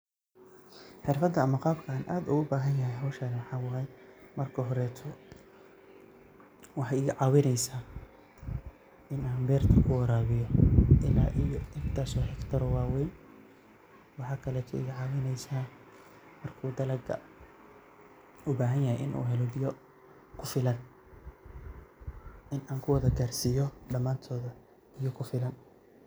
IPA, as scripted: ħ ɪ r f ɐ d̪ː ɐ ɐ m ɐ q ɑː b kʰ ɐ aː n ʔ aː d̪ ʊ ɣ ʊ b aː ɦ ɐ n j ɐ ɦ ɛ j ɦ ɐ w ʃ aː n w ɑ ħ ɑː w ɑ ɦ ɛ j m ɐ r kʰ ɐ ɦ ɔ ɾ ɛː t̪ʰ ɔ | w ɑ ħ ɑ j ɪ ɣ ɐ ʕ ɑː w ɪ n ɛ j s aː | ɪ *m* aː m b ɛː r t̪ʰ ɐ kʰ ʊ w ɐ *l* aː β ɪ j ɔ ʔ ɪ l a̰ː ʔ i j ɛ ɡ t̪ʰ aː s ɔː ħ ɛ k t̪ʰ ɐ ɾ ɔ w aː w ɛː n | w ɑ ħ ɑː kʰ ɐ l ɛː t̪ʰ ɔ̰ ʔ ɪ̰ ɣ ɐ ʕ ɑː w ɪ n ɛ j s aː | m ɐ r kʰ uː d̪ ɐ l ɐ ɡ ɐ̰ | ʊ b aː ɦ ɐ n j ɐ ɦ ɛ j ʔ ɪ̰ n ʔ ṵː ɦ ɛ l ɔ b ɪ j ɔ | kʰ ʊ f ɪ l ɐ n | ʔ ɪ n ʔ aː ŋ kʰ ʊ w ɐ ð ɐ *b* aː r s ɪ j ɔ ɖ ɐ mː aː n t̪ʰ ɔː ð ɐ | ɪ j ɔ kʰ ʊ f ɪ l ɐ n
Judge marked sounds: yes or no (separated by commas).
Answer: no, no, no